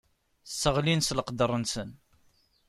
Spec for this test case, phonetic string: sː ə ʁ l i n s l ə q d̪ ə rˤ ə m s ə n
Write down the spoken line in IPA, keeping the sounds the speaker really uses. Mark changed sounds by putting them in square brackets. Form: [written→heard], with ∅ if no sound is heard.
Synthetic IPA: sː ə ʁ l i n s l ə q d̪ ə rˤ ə [m→n] s ə n